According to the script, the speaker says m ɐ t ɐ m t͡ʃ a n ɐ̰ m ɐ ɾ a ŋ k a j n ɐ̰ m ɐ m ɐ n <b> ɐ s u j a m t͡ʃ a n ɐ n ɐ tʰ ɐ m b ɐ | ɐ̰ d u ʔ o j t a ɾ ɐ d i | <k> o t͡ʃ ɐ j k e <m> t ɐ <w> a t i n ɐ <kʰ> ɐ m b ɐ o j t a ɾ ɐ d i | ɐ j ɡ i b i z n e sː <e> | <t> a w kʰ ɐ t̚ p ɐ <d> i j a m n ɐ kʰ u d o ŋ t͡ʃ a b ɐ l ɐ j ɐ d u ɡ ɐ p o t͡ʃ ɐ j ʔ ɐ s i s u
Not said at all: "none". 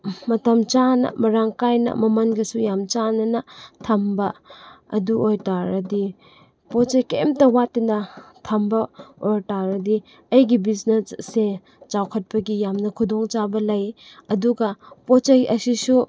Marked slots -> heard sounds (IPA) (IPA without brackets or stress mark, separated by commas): ɡ, p, m, w, tʰ, e, t͡ʃ, ɡ